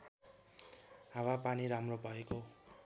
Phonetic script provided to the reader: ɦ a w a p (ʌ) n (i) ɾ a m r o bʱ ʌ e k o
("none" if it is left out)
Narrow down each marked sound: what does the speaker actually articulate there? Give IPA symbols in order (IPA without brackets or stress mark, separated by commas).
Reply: a, i